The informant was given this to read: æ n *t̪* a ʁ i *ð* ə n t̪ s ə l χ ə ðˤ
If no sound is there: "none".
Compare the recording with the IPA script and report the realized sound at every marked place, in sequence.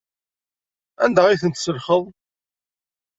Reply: d̪, θ

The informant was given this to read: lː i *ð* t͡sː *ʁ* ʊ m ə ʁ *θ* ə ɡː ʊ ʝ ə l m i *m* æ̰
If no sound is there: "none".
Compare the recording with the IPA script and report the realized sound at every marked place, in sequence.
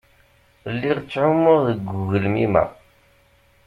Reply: ʁ, ʕ, ð, m

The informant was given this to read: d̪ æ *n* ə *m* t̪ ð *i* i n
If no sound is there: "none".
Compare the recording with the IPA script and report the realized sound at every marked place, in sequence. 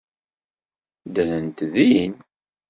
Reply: n, n, i

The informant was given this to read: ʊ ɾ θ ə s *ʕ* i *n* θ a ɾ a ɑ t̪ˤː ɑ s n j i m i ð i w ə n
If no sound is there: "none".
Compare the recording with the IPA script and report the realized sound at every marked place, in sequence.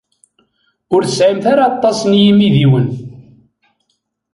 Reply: ʕ, m

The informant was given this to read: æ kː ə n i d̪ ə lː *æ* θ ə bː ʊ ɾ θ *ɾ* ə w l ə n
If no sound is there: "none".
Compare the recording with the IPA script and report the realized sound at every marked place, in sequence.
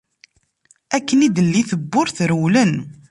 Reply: i, ɾ

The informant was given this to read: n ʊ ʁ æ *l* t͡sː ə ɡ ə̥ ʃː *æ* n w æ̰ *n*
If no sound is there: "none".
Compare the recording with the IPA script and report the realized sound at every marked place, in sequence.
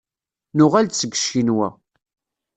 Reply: l, i, none

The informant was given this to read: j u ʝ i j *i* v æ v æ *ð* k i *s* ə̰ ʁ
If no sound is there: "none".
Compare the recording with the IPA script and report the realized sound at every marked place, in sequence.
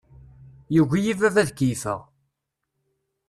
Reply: i, ð, f

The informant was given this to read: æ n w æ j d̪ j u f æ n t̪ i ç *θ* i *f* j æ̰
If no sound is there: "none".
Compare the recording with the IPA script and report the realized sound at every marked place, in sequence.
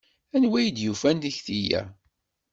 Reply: θ, none

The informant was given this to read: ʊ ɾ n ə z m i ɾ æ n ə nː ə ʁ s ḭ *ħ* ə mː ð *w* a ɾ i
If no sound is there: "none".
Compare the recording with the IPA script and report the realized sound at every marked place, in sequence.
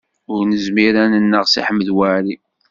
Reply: ħ, w

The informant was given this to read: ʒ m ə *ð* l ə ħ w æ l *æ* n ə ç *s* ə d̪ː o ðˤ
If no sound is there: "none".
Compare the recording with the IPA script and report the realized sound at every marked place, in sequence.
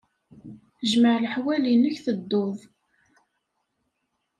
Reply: ʕ, i, θ

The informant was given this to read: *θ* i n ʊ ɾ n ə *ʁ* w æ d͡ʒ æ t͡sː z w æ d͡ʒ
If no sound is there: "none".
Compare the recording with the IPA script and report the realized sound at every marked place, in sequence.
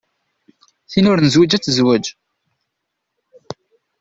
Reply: θ, z

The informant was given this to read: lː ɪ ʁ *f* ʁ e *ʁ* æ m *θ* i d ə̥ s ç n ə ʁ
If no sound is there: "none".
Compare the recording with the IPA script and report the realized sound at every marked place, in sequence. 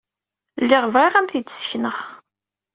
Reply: v, ʁ, θ

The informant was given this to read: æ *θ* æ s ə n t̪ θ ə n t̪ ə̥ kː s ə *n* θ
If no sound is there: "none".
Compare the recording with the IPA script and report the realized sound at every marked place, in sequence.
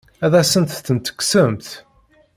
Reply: ð, m

